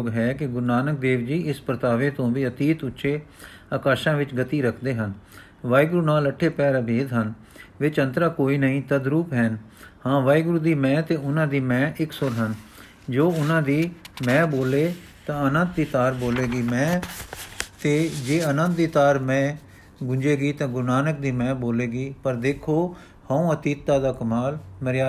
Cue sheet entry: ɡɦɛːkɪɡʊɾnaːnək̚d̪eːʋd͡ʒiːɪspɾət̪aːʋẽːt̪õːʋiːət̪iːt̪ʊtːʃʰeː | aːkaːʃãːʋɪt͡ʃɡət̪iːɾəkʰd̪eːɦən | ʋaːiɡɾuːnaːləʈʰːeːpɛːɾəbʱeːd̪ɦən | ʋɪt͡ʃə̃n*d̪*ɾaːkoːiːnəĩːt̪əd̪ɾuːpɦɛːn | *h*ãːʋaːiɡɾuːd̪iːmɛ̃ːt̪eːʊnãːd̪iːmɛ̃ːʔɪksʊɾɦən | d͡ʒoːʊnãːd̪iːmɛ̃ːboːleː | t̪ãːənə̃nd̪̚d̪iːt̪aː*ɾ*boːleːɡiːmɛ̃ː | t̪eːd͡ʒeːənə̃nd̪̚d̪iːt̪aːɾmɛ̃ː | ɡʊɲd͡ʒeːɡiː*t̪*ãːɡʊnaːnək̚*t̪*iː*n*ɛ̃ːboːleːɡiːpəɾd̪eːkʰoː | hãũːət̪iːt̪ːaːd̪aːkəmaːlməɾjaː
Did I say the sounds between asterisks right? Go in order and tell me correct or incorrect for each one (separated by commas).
incorrect, correct, correct, correct, incorrect, incorrect